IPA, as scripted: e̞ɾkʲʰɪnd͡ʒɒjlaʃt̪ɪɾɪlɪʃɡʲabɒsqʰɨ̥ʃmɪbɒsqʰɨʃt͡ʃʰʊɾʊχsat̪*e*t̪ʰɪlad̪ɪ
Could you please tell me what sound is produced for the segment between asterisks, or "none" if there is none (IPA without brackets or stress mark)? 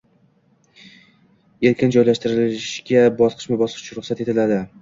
e